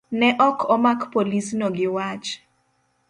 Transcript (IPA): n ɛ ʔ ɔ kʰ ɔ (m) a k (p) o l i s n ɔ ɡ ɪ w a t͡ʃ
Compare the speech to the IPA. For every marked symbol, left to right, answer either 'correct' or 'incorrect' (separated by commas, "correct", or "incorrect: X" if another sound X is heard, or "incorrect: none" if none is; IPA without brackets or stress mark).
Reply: correct, correct